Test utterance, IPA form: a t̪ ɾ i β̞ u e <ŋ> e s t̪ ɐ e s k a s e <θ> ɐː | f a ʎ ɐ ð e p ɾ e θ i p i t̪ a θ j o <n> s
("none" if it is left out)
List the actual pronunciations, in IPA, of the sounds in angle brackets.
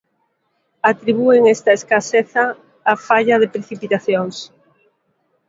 ŋ, θ, ŋ

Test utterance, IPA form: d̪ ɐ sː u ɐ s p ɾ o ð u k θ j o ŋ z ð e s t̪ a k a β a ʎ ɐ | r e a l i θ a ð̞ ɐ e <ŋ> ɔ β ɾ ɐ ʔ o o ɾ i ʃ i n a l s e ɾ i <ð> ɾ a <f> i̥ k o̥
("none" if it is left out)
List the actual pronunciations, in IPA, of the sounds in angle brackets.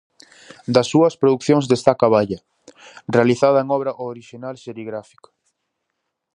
ŋ, ɣ, f

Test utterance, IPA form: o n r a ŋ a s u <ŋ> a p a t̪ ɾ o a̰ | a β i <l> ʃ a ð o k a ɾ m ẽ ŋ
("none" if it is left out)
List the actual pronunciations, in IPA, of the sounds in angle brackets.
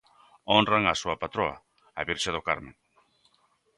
none, ɾ

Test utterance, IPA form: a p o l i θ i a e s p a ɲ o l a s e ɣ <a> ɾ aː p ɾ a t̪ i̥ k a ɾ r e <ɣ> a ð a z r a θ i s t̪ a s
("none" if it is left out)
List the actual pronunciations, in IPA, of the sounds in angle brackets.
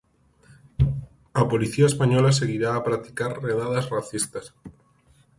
i, ð

